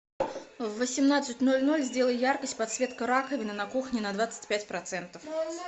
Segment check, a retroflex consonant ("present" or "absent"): absent